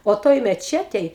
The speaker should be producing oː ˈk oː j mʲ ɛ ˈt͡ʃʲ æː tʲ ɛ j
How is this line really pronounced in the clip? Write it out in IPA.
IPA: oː ˈt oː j mʲ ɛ ˈt͡ʃʲ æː tʲ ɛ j